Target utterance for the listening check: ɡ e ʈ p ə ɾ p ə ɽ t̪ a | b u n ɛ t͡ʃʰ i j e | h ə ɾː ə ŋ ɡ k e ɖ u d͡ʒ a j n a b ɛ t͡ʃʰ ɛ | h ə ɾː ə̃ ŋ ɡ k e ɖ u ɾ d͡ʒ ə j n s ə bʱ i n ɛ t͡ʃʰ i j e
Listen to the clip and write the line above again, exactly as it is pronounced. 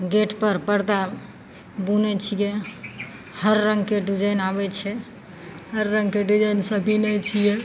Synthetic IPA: ɡ e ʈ p ə ɾ p ə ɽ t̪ a | b u n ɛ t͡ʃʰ i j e | h ə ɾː ə ŋ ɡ k e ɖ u d͡ʒ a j n a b ɛ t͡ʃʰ ɛ | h ə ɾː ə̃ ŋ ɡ k e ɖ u d͡ʒ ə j n s ə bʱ i n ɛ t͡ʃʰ i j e

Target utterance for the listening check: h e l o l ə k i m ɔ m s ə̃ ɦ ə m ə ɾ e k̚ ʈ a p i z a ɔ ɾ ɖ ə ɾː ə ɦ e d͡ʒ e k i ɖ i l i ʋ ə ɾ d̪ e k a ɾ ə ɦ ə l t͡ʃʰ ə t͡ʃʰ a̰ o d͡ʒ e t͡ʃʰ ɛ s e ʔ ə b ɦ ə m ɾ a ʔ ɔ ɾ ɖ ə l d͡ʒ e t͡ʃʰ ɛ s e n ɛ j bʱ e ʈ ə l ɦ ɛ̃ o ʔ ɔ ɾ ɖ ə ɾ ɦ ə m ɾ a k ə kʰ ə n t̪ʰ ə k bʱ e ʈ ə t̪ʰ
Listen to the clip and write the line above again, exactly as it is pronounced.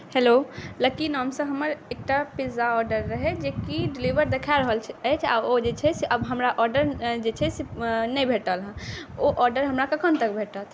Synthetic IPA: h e l o l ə k i n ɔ m s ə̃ ɦ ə m ə ɾ e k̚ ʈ a p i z a ɔ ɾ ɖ ə ɾː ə ɦ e d͡ʒ e k i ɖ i l i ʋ ə ɾ d̪ e kʰ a ɾ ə ɦ ə l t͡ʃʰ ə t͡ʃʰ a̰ o d͡ʒ e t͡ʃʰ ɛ s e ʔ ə b ɦ ə m ɾ a ʔ ɔ ɾ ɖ ə ɾ d͡ʒ e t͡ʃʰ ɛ s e n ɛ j bʱ e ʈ ə l ɦ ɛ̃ o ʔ ɔ ɾ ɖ ə ɾ ɦ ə m ɾ a k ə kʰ ə n t̪ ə k bʱ e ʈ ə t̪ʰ

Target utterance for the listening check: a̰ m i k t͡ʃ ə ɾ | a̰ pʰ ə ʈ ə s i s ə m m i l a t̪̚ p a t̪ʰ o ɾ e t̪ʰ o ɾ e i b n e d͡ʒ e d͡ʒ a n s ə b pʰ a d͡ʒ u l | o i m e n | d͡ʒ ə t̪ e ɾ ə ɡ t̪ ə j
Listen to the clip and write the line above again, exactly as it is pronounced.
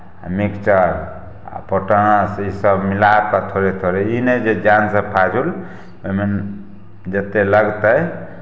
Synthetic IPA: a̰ m i k t͡ʃ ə ɾ | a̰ p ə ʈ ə s i s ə b m i l a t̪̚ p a t̪ʰ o ɾ e t̪ʰ o ɾ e i n e d͡ʒ e d͡ʒ a n s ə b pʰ a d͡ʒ u l | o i m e n | d͡ʒ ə t̪ e l ə ɡ t̪ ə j

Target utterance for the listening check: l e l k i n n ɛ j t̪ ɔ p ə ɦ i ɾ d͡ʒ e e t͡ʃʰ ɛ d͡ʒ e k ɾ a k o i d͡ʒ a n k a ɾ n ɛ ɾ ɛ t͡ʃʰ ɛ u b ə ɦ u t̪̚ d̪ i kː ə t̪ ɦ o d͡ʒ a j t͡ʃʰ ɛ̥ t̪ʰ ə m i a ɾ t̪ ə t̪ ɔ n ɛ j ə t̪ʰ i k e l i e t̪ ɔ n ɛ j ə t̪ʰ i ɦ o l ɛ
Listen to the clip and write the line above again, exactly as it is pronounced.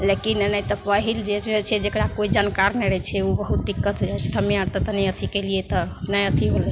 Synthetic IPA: l e k i n n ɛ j t̪ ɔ p ə ɦ i l d͡ʒ e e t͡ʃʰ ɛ d͡ʒ e k ɾ a k o i d͡ʒ a n k a ɾ n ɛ ɾ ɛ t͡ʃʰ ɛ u b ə ɦ u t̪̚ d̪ i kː ə t̪ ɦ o d͡ʒ a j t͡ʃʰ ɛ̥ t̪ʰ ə m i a ɾ t̪ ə t̪ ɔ n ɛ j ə t̪ʰ i k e l i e t̪ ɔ n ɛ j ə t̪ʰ i ɦ o l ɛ

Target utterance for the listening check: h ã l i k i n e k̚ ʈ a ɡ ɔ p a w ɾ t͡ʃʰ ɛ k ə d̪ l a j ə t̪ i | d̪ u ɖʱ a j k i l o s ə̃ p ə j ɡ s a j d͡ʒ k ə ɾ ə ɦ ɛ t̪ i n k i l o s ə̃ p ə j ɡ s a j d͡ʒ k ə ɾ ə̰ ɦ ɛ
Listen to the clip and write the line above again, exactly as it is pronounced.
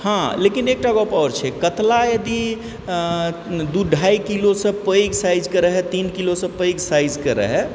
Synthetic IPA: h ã l e k i n e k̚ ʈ a ɡ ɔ p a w ɾ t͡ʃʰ ɛ k ə t̪ l a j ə d̪ i | d̪ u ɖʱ a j k i l o s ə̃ p ə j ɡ s a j d͡ʒ k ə ɾ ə ɦ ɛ t̪ i n k i l o s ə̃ p ə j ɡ s a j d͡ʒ k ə ɾ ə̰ ɦ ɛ

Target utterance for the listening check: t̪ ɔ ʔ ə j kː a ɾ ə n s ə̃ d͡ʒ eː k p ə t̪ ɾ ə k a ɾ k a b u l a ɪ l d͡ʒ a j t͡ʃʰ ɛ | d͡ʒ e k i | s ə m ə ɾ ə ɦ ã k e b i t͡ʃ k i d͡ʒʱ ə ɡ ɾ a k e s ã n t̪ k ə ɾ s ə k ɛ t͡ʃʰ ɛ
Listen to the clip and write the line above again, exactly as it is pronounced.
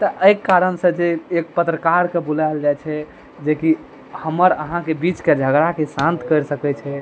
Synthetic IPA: t̪ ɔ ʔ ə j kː a ɾ ə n s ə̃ d͡ʒ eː k p ə t̪ ɾ ə k a ɾ k e b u l a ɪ l d͡ʒ a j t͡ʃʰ ɛ | d͡ʒ e k i | h ə m ə ɾ ə ɦ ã k e b i t͡ʃ k e d͡ʒʱ ə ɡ ɾ a k e s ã n t̪ k ə ɾ s ə k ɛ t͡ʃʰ ɛ

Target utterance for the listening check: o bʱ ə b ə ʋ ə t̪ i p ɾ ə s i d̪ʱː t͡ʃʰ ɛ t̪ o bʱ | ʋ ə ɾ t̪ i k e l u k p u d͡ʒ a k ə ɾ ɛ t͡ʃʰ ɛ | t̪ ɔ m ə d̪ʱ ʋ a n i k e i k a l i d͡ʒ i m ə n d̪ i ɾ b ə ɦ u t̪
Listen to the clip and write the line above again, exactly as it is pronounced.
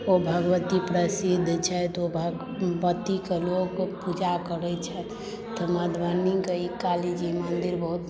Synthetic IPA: o bʱ ə ɡ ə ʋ ə t̪ i p ɾ ə s i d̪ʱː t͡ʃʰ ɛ t̪ o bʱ | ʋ ə t̪ i k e l o k p u d͡ʒ a k ə ɾ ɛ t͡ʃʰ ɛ | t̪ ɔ m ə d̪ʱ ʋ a n i k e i k a l i d͡ʒ i m ə n d̪ i ɾ b ə ɦ u t̪

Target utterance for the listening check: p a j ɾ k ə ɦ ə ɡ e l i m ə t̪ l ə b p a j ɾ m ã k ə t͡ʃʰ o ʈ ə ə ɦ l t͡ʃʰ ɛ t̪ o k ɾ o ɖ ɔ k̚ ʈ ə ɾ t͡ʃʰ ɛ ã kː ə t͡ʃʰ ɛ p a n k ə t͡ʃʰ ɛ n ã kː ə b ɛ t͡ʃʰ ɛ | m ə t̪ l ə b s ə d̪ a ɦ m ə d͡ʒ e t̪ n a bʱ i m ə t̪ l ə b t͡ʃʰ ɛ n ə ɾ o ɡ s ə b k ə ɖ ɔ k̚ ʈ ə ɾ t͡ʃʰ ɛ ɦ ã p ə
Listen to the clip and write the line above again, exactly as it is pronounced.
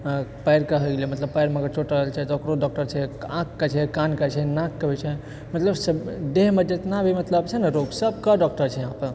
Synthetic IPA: p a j ɾ k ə ɦ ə ɡ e l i m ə t̪ l ə b p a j ɾ m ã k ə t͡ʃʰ o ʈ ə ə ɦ l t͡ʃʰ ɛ t̪ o k ɾ o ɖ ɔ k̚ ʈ ə ɾ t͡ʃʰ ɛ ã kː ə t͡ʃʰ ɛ k a n k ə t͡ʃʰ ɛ n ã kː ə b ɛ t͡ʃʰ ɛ | m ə t̪ l ə b s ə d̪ e ɦ m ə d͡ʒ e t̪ n a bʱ i m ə t̪ l ə b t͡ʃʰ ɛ n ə ɾ o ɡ s ə b k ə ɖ ɔ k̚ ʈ ə ɾ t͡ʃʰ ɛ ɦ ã p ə

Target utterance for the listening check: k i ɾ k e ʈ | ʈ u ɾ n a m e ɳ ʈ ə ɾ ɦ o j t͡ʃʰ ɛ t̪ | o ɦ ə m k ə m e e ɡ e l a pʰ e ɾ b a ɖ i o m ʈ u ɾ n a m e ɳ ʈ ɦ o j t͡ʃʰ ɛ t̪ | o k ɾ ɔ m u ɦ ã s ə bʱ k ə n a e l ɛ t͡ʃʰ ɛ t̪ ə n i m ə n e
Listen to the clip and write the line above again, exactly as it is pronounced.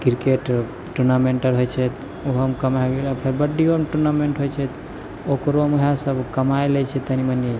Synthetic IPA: k i ɾ k e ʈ | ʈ u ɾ n a m e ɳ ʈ ə ɾ ɦ o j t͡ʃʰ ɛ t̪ | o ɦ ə m k ə m a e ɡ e l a pʰ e ɾ b ə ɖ i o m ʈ u ɾ n a m e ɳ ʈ ɦ o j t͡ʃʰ ɛ t̪ | o k ɾ o m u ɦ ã s ə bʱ k ə m a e l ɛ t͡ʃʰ ɛ t̪ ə n i m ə n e

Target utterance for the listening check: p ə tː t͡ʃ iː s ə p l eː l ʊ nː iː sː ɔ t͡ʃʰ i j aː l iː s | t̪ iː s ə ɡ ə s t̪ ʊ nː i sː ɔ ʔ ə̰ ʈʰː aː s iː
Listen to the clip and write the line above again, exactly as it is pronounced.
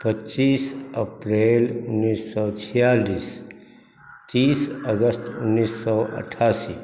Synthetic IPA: p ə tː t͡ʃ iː s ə p ɾ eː l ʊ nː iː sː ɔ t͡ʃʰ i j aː l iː s | t̪ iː s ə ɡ ə s t̪ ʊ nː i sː ɔ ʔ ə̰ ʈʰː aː s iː

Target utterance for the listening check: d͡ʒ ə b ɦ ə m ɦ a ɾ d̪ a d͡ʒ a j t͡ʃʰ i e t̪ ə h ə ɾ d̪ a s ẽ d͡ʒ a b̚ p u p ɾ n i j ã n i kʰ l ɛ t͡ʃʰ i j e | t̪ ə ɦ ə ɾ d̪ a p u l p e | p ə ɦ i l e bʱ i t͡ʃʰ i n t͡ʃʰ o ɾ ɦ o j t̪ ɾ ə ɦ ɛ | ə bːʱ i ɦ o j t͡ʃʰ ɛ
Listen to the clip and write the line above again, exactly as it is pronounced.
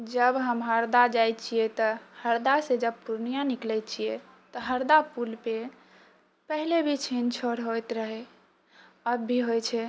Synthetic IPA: d͡ʒ ə b ɦ ə m ɦ ə ɾ d̪ a d͡ʒ a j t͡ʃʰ i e t̪ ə h ə ɾ d̪ a s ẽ d͡ʒ ə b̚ p u ɾ n i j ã n i k l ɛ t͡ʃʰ i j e | t̪ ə ɦ ə ɾ d̪ a p u l p e | p ə ɦ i l e bʱ i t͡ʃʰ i n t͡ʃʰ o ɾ ɦ o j t̪ ɾ ə ɦ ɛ | ə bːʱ i ɦ o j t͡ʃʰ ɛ

